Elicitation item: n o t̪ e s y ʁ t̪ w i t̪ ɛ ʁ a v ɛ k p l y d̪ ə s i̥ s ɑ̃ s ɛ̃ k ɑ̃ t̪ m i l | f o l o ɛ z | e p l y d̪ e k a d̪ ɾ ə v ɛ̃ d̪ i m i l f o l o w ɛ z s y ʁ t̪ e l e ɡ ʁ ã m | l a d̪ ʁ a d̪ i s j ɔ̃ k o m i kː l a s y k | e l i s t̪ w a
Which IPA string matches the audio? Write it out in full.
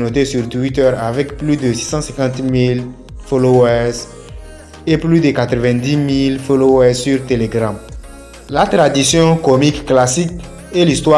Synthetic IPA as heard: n o t̪ e s y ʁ t̪ w i t̪ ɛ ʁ a v ɛ k p l y d̪ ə s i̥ s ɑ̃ s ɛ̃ k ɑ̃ t̪ m i l | f o l o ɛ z | e p l y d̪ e k a t̪ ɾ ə v ɛ̃ d̪ i m i l f o l o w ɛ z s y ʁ t̪ e l e ɡ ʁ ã m | l a t̪ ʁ a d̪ i s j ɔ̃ k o m i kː l a s i k | e l i s t̪ w a